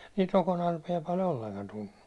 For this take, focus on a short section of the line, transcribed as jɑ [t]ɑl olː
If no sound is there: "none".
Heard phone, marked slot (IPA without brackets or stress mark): p